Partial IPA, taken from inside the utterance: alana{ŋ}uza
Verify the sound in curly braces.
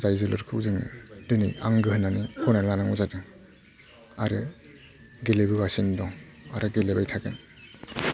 correct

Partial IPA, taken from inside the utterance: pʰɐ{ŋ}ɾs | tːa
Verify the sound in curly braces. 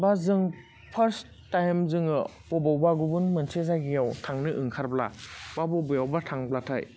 incorrect: none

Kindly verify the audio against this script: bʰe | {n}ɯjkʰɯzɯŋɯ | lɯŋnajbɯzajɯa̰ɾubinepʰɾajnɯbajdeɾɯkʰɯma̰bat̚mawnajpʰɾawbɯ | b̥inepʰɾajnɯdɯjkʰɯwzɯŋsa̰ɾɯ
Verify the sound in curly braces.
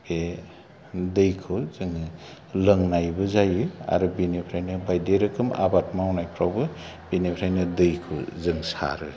incorrect: d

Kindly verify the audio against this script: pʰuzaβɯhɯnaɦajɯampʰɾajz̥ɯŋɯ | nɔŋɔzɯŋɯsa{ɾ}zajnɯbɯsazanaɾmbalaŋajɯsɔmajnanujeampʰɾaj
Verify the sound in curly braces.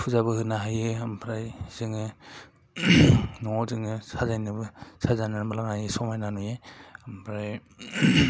incorrect: none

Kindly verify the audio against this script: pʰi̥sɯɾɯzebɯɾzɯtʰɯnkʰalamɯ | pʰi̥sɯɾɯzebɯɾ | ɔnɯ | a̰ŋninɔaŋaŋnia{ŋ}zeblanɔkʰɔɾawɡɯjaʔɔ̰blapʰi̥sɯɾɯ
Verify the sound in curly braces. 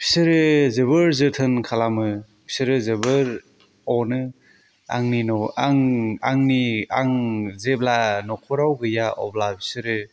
correct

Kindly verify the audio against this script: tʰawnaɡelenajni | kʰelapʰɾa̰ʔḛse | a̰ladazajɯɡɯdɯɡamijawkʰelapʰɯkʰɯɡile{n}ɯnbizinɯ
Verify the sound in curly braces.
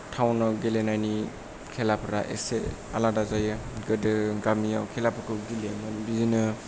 incorrect: m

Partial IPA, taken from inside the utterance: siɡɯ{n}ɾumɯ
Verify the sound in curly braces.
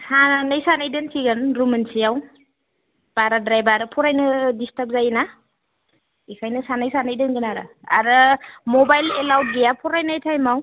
correct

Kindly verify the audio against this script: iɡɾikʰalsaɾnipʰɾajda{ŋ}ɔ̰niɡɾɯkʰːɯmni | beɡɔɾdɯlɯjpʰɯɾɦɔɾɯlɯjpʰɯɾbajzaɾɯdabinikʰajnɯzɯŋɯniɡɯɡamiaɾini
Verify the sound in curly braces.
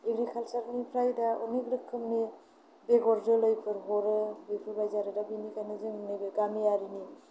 incorrect: none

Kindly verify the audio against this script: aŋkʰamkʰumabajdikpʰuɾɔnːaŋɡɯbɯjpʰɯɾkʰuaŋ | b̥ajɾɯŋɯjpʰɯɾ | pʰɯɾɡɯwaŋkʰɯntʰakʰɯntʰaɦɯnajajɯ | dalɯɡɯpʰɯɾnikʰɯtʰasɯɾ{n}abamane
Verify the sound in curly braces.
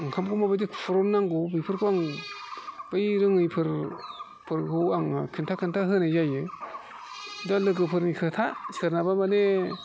correct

